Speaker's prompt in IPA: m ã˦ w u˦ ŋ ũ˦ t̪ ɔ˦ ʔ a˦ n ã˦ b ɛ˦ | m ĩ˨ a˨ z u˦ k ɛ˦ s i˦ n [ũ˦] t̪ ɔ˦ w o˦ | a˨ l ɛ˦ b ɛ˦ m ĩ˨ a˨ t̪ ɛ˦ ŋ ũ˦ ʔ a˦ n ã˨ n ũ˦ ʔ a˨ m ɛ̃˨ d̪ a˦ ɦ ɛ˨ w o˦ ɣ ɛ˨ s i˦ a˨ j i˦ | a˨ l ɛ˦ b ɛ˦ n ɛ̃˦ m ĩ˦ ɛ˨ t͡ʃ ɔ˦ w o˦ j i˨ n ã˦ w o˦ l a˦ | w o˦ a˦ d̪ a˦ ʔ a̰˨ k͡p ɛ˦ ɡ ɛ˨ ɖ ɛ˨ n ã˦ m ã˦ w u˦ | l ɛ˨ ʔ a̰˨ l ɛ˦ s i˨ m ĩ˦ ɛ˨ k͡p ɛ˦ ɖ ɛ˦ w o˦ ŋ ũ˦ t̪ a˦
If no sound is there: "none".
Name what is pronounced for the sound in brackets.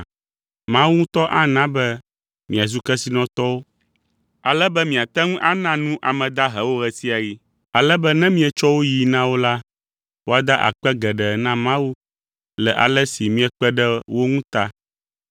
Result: ɔ̃˦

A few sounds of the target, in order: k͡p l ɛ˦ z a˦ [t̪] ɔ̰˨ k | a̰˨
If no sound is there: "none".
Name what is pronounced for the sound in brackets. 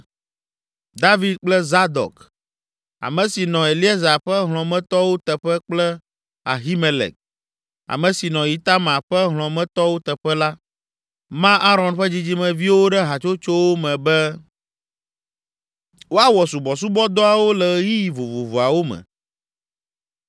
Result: d̪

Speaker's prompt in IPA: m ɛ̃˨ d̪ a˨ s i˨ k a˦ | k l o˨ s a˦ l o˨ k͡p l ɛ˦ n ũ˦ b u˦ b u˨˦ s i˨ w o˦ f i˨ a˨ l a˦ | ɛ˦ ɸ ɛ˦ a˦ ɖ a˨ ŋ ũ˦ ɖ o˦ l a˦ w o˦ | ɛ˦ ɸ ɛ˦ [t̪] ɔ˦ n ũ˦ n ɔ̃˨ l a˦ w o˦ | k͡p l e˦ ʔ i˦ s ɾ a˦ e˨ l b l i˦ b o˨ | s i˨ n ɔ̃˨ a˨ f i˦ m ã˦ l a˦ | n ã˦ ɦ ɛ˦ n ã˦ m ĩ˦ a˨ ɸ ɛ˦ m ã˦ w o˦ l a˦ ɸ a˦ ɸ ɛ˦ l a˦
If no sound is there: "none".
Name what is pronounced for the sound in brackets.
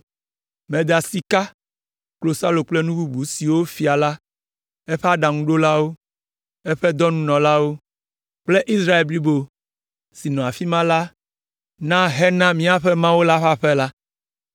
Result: d̪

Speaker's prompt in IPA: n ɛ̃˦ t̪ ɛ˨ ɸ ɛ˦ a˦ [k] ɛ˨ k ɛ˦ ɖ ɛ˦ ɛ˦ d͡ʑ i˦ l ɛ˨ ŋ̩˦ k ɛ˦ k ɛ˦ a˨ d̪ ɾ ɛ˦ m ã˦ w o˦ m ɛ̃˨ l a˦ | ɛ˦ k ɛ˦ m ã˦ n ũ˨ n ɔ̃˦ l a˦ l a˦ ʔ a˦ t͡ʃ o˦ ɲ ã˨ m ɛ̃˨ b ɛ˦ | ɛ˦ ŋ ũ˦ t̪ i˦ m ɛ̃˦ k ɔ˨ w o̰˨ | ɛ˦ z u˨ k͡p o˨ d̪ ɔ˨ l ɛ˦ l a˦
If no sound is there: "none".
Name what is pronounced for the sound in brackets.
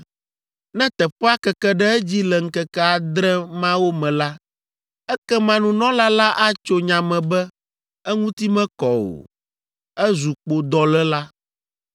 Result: k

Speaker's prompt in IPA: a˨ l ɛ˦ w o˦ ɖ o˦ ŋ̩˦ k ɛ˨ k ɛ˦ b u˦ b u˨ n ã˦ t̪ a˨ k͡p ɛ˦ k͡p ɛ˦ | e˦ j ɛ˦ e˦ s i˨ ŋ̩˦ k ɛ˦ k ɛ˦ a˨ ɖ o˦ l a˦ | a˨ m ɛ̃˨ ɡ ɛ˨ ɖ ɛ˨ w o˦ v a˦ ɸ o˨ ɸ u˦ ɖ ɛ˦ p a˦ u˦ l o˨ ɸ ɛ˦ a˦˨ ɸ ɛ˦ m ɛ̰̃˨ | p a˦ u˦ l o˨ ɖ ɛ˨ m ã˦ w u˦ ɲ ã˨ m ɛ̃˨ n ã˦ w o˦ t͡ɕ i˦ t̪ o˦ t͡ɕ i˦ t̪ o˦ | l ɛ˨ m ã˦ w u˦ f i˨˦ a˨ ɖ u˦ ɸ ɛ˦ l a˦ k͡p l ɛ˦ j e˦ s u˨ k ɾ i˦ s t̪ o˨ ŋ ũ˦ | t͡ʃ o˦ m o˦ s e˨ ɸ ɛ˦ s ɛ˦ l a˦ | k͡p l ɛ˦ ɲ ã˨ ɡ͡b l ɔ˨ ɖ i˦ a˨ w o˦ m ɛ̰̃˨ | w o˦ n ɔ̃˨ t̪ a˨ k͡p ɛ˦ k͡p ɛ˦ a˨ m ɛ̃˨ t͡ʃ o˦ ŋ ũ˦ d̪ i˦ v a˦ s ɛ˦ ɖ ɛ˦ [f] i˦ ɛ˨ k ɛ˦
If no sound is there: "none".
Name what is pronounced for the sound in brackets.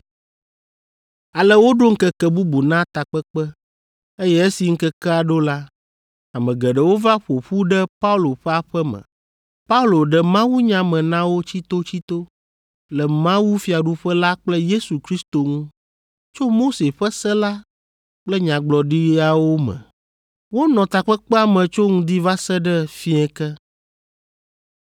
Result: f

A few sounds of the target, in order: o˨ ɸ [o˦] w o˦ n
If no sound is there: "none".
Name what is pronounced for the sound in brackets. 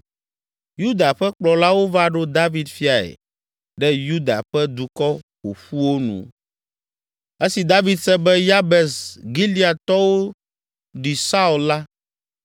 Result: u˦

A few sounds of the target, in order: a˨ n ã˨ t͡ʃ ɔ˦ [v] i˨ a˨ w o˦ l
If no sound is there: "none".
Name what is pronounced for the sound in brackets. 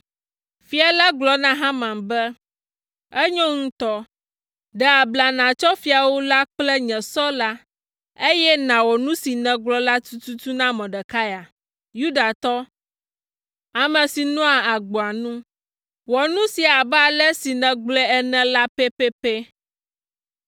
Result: f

